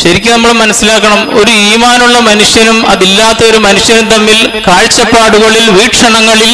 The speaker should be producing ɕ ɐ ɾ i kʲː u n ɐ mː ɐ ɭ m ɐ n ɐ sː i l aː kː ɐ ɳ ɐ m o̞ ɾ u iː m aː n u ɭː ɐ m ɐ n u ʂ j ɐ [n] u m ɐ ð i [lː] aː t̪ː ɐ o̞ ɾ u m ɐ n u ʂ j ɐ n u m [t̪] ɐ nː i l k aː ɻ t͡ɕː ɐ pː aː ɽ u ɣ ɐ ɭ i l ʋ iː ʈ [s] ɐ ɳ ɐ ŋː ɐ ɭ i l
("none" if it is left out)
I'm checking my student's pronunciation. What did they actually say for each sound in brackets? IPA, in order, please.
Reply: n, lː, t̪, ʂ

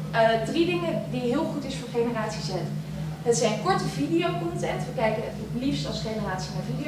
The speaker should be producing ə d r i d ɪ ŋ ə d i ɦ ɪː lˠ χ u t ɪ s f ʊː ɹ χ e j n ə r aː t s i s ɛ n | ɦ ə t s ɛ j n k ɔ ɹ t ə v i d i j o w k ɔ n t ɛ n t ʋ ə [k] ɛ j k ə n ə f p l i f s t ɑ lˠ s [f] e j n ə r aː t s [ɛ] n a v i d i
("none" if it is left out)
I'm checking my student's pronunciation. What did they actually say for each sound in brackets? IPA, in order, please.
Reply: k, χ, i

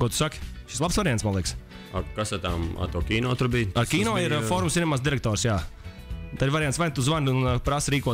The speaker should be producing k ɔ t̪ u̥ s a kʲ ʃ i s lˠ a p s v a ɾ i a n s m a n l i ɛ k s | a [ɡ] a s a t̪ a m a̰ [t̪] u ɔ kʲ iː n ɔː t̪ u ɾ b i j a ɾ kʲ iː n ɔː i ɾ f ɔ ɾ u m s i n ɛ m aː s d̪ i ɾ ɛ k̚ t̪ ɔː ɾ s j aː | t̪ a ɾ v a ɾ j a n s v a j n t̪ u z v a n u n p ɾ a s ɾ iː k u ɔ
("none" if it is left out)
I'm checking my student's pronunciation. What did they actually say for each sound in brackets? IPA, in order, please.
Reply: k, t̪

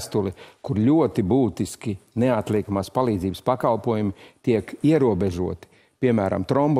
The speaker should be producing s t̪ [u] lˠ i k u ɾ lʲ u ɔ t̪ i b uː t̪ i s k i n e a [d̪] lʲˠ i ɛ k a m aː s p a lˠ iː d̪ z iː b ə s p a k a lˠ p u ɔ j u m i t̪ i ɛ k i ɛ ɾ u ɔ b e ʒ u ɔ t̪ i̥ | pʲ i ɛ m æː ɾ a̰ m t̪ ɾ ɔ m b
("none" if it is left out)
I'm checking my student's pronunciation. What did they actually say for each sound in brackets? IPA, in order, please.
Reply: u, t̪

